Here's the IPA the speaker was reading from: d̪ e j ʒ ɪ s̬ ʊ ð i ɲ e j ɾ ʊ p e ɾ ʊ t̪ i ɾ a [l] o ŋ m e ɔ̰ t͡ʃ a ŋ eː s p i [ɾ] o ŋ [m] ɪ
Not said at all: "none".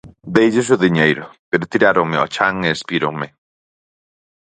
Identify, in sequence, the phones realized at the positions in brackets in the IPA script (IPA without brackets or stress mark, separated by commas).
ɾ, ɾ, m